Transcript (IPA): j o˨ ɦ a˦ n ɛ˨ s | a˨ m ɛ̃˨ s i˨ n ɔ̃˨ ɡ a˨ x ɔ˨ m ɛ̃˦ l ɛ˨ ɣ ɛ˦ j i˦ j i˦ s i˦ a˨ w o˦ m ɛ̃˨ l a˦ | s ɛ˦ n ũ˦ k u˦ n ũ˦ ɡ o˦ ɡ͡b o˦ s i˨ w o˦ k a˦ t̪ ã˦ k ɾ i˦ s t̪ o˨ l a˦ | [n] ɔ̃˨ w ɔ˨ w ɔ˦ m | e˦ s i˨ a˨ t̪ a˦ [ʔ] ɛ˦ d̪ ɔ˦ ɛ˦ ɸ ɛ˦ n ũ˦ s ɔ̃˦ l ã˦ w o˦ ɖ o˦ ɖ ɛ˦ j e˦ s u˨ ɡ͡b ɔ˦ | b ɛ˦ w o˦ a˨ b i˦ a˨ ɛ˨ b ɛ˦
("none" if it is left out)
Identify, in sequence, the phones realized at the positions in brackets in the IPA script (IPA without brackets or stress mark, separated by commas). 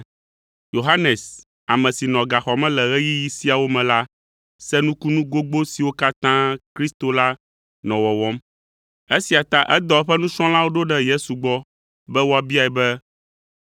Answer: n, ʔ